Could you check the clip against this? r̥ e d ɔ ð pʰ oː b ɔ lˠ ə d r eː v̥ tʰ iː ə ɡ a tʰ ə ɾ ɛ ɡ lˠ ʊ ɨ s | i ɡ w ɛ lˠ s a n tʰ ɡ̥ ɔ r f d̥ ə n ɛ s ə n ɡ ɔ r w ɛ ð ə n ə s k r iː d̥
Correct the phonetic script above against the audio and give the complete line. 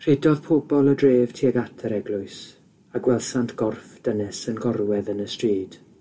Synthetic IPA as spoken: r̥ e d ɔ ð pʰ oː b ɔ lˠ ə d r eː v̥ tʰ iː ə ɡ a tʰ ə ɾ ɛ ɡ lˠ ʊ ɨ s | a ɡ w ɛ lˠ s a n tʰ ɡ̥ ɔ r f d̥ ə n ɛ s ə n ɡ ɔ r w ɛ ð ə n ə s t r iː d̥